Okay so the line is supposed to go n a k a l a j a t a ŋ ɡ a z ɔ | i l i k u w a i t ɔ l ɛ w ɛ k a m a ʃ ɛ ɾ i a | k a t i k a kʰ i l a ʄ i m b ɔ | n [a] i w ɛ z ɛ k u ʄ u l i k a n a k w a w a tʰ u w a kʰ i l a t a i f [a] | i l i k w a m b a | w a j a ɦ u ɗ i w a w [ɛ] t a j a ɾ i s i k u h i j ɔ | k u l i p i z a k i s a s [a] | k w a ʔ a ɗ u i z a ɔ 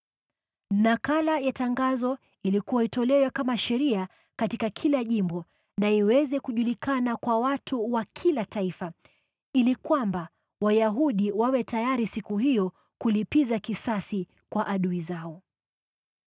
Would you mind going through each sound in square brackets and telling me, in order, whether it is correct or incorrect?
correct, correct, correct, incorrect

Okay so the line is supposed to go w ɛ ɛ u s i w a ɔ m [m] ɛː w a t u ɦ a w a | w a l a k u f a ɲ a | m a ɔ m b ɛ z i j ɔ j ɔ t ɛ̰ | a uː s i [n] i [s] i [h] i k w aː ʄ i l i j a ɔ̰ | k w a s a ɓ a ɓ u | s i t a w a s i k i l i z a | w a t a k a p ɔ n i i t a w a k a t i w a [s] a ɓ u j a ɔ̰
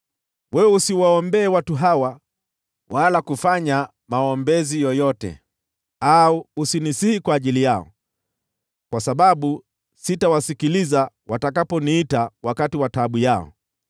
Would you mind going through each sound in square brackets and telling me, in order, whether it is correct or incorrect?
incorrect, correct, correct, correct, incorrect

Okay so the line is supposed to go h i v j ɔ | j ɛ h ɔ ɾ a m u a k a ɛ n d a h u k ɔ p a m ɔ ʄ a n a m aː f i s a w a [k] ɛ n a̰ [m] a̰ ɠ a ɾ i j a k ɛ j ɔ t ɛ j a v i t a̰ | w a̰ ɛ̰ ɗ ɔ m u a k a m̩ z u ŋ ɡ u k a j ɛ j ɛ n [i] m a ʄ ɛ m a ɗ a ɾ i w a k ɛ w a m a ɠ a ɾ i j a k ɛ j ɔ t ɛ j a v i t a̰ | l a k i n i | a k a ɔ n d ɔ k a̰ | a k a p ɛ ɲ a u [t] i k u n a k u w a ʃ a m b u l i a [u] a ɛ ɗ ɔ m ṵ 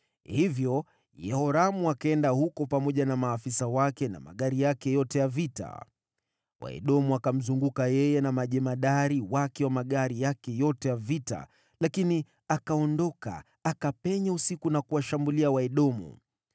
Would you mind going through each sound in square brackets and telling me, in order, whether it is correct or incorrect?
correct, correct, incorrect, incorrect, incorrect

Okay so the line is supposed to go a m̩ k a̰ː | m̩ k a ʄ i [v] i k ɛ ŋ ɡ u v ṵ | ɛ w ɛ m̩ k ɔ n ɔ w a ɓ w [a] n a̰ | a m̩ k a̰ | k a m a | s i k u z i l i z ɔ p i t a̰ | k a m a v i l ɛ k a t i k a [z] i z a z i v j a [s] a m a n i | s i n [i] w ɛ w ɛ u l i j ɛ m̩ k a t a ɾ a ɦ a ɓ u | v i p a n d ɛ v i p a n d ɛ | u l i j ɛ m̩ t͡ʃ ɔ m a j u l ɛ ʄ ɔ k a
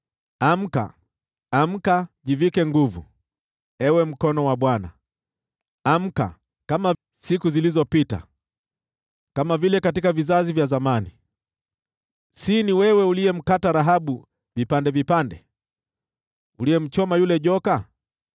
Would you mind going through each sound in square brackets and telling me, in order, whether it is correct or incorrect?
correct, correct, incorrect, incorrect, correct

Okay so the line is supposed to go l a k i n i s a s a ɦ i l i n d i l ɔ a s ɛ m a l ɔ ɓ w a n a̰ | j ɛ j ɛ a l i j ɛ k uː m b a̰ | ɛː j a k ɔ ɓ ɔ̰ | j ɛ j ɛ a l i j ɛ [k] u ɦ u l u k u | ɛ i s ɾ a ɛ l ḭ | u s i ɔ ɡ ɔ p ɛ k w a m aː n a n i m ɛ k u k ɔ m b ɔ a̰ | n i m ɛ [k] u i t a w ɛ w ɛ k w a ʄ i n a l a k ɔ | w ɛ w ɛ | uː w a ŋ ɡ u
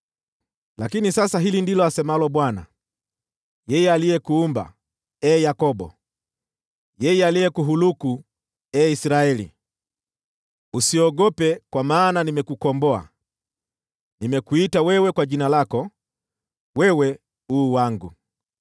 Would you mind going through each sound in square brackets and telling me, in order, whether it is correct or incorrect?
correct, correct

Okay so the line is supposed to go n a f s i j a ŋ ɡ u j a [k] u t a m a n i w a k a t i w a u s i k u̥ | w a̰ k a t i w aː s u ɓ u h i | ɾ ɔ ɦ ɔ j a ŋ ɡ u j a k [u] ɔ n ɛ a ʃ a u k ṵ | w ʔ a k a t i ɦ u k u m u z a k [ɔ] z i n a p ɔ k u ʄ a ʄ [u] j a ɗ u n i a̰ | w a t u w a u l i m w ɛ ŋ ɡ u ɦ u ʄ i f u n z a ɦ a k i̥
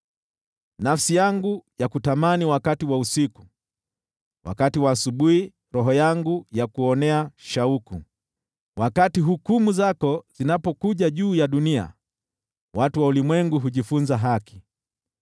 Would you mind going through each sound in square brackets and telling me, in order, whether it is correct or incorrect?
correct, correct, correct, incorrect

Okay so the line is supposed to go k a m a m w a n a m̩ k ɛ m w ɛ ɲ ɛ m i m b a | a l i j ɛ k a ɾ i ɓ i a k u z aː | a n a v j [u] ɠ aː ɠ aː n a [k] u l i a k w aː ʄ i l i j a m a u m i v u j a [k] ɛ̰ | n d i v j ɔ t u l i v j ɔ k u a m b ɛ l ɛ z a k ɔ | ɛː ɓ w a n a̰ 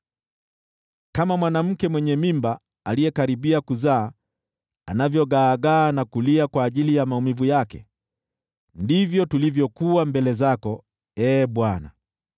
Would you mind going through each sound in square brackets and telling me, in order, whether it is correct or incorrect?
incorrect, correct, correct

